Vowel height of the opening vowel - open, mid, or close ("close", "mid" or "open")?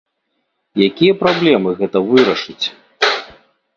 open